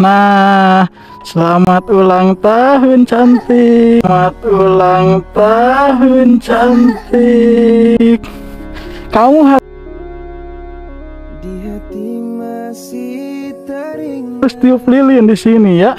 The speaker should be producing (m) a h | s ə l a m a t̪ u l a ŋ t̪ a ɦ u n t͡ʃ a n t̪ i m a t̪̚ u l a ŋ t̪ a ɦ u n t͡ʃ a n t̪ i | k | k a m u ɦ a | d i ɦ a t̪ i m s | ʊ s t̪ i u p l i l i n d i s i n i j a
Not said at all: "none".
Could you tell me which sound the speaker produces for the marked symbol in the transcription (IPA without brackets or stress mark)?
n